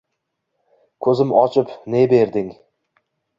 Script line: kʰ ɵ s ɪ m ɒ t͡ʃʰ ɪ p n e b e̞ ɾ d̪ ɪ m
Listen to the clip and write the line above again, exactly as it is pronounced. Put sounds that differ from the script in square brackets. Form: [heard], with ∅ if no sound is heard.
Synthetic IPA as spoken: kʰ ɵ [z] ɪ m ɒ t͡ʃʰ ɪ p n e b e̞ ɾ d̪ ɪ [ŋ]